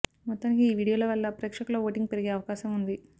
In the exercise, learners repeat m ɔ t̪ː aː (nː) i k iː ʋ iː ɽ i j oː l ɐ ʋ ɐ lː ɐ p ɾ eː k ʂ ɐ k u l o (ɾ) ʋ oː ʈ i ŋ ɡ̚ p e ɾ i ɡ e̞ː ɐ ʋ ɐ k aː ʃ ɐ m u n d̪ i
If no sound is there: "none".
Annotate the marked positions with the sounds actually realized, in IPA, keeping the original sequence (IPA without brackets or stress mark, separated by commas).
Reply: n, none